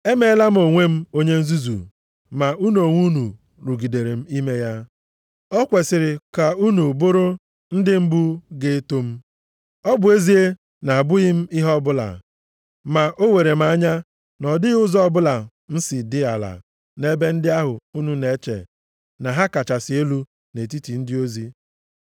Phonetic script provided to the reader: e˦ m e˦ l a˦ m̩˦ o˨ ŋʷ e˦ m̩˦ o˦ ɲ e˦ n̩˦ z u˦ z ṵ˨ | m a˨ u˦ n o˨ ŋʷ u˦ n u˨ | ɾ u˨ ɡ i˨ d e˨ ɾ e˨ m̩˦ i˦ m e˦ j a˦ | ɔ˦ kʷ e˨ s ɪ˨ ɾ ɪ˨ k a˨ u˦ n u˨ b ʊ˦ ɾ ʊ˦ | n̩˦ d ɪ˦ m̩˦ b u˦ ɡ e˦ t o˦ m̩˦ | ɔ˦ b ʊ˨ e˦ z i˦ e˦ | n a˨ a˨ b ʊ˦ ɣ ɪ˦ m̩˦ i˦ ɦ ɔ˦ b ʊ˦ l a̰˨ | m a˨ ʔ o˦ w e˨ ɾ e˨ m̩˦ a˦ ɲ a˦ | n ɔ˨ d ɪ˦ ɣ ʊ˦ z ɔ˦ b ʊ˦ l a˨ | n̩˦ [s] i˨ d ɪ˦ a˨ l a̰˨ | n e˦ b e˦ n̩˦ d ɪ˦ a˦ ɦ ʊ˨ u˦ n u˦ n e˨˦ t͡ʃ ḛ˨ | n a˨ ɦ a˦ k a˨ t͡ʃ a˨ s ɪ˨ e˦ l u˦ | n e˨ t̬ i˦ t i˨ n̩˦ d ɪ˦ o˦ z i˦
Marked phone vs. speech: correct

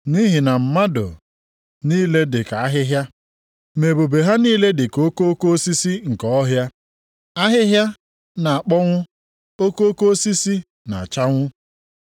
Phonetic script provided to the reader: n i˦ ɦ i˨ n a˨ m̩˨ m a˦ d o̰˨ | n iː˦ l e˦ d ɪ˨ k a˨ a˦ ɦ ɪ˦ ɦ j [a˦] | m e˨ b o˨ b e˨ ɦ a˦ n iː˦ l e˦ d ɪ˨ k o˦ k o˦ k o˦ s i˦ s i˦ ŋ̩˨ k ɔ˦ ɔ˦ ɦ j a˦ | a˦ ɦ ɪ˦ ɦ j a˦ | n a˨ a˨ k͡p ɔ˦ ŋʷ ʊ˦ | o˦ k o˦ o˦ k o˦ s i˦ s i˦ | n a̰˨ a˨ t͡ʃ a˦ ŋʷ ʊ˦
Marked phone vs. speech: correct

